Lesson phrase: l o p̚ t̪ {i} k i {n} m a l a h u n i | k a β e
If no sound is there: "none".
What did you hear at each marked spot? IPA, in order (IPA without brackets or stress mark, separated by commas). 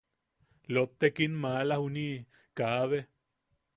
e, n